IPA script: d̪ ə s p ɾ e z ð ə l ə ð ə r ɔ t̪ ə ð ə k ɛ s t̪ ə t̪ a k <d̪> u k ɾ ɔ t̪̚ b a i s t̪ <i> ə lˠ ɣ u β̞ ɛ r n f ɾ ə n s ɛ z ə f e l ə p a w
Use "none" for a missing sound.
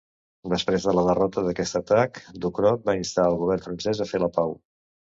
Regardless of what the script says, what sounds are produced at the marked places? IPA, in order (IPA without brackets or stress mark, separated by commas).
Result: d̪, a